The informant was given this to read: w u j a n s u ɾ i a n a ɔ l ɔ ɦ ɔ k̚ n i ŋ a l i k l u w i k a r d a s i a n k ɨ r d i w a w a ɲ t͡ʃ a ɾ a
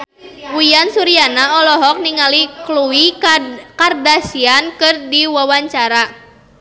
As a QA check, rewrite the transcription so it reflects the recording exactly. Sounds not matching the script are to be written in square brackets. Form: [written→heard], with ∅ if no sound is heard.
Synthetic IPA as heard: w u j a n s u ɾ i a n a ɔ l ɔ ɦ ɔ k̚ n i ŋ a l i k l u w i k a r d a s i a n k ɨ r d i w a w a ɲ t͡ʃ a ɾ a